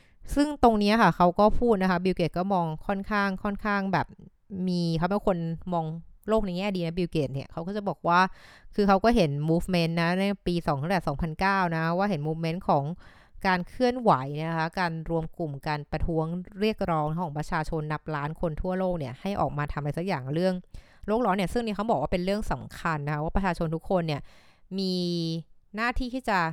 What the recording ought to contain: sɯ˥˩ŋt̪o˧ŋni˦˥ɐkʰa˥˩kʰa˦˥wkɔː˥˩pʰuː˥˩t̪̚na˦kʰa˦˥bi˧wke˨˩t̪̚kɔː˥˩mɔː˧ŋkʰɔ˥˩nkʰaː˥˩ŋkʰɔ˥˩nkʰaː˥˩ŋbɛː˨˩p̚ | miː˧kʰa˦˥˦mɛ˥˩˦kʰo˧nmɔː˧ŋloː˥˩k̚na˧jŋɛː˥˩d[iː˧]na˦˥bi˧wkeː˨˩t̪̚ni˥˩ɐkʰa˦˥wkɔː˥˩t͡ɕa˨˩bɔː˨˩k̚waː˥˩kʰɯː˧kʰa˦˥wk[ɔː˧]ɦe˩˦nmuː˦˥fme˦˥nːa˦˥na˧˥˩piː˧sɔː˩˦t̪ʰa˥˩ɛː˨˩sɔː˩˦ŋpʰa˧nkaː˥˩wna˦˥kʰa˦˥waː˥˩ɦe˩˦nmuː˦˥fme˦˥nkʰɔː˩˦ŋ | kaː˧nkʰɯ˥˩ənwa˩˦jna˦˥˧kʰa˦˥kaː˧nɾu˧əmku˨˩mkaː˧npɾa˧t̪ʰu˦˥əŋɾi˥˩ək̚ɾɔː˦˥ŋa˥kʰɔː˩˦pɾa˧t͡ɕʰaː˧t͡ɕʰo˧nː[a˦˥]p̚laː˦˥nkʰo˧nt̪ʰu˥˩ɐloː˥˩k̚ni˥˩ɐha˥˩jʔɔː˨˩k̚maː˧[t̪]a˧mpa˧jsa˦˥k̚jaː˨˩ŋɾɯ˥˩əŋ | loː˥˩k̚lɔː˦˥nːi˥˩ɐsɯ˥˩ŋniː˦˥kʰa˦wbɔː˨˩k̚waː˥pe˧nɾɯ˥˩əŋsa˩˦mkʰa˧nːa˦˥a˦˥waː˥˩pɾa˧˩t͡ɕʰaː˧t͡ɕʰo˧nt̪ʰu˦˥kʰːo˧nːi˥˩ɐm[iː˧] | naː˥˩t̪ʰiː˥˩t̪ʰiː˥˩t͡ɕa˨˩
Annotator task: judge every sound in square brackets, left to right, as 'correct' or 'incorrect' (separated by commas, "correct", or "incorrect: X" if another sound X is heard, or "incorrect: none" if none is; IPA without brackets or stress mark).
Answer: correct, incorrect: ɔː˥˩, correct, incorrect: t̪ʰ, correct